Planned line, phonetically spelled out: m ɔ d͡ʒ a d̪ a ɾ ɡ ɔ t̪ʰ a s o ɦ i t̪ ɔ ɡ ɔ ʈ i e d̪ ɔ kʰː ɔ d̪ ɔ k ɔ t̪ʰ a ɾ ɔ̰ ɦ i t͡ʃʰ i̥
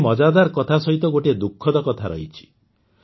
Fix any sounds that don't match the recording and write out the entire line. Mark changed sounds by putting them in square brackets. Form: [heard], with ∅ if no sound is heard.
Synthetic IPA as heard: m ɔ d͡ʒ a d̪ a ɾ [k] ɔ t̪ʰ a s [ɔ] ɦ i t̪ ɔ ɡ [o] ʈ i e d̪ [u] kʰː ɔ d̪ ɔ k ɔ t̪ʰ a ɾ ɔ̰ ɦ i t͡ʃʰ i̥